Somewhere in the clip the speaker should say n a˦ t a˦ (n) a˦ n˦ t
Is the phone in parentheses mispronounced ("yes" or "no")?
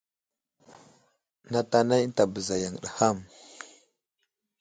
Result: no